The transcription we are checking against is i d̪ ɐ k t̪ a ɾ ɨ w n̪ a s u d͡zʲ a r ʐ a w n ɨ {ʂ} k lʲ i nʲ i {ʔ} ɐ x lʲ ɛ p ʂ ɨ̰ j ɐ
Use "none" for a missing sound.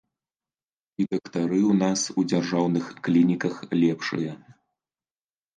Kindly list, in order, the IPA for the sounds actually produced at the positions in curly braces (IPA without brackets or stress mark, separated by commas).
x, k